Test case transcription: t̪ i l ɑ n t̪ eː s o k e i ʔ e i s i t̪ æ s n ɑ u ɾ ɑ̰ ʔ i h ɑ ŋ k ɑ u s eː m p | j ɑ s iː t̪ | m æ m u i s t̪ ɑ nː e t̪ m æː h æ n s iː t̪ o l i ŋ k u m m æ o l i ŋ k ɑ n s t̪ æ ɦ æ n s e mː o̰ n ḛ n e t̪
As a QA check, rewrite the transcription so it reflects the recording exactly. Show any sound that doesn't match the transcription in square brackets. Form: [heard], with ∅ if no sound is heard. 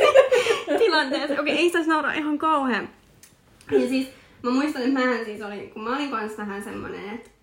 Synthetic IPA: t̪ i l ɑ n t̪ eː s o k e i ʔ e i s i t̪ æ s n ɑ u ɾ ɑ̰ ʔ i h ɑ ŋ k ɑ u [h] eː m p | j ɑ s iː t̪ | m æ m u i s t̪ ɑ [n] e t̪ m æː h æ n s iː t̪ o l i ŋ k u m m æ o l i ŋ k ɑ n s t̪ æ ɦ æ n s e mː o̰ n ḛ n e t̪